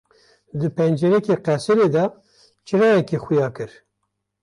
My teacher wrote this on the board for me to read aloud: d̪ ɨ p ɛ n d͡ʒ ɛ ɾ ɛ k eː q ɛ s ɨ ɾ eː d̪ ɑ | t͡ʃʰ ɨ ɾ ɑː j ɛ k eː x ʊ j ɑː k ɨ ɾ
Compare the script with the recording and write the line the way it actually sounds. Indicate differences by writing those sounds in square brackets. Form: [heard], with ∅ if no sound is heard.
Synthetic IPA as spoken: d̪ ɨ p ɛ n d͡ʒ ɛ ɾ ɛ k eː q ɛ s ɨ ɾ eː d̪ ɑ | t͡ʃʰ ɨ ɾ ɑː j ɛ k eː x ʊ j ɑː k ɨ ɾ